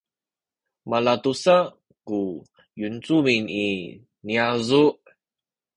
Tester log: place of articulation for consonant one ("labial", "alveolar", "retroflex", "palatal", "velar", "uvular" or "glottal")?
labial